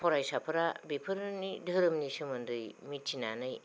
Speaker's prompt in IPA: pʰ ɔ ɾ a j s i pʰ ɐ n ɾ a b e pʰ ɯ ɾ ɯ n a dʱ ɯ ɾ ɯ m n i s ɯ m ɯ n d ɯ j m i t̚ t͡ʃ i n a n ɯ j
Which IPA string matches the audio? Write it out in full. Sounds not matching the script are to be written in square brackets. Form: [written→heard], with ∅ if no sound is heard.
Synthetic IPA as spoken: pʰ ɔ ɾ a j s [i→a] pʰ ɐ [n→∅] ɾ a b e pʰ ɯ ɾ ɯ n [a→i] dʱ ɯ ɾ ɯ m n i s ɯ m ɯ n d ɯ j m i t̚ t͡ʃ i n a n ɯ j